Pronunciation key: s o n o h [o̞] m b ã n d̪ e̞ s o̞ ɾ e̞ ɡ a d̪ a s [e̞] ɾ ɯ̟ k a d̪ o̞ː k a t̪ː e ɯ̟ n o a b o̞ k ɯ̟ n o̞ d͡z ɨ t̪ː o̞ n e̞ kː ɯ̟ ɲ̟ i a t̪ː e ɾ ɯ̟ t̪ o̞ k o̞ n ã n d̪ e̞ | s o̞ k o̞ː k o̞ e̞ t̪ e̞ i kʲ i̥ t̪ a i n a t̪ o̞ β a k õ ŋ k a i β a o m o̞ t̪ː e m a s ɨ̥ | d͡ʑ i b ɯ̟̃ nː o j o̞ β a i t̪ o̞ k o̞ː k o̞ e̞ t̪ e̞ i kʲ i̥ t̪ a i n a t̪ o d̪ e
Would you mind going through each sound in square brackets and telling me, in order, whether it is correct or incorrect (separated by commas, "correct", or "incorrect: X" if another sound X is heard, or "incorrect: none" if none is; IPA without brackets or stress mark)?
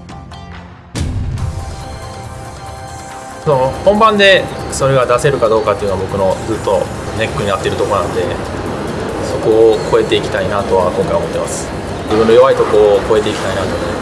incorrect: õ̞, correct